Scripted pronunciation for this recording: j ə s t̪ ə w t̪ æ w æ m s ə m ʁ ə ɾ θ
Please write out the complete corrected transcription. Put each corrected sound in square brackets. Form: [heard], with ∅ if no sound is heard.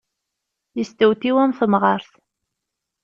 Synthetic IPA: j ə s t̪ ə w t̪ [i] w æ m [θ] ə m ʁ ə ɾ θ

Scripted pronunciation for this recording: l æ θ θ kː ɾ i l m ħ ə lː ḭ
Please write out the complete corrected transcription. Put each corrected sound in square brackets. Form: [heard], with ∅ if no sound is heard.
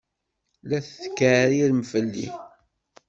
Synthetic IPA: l æ θ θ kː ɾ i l m [f] ə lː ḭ

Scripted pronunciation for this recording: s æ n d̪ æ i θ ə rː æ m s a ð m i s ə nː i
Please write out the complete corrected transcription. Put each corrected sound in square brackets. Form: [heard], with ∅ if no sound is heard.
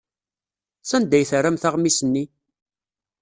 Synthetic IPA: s æ n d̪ æ [j] θ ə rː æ m [θ] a [ʁ] m i s ə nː i

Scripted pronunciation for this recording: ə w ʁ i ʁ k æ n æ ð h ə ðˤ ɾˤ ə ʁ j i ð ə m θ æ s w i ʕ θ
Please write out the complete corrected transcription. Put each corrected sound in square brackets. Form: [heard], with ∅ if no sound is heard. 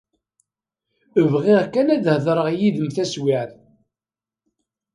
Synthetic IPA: ə [v] ʁ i ʁ k æ n æ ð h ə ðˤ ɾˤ ə ʁ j i ð ə m θ æ s w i ʕ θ

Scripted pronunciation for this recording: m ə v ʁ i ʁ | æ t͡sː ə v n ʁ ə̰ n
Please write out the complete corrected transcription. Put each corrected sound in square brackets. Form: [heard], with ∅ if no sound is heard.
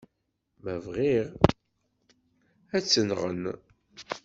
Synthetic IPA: m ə v ʁ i ʁ | æ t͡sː ə [∅] n ʁ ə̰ n

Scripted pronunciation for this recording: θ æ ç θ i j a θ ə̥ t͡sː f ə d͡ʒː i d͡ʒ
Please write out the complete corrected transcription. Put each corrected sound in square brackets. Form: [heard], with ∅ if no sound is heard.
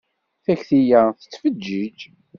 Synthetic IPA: θ æ ç θ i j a θ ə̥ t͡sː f ə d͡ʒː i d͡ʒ

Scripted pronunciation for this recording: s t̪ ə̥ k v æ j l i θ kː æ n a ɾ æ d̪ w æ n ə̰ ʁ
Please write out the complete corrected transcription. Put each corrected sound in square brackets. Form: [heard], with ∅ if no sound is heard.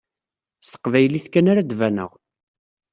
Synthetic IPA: s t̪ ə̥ [q] v æ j l i θ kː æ n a ɾ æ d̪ [v] æ n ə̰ ʁ

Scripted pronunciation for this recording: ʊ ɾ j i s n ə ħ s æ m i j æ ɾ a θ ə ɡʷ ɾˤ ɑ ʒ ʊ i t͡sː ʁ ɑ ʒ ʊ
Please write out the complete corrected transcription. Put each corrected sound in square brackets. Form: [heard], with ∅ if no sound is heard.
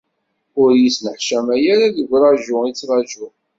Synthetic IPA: ʊ ɾ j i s n ə ħ [ʃ] æ m [æ] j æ ɾ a [ð] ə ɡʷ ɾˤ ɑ ʒ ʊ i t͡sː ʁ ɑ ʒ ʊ

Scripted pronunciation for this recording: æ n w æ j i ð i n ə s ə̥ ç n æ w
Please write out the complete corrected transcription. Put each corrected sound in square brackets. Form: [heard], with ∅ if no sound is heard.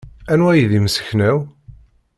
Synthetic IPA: æ n w æ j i ð i [m] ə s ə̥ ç n æ w

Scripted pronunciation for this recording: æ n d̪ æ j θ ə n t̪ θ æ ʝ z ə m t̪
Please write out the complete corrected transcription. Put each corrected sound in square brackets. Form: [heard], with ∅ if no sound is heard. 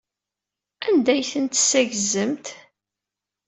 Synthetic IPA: æ n d̪ æ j θ ə n t̪ [s] æ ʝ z ə m t̪

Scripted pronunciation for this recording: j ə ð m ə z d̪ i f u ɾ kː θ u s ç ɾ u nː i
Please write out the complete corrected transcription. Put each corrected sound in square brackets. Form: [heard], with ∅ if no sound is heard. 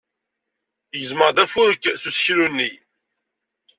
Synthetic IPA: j ə [z] m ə [ʁ] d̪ [æ] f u ɾ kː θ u s ç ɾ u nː i

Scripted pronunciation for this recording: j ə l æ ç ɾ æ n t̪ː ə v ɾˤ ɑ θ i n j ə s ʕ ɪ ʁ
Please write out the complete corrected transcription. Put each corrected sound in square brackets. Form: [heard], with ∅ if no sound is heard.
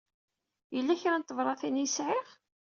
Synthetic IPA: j ə [lː] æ ç ɾ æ n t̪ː ə v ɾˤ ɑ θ i n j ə s ʕ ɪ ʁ

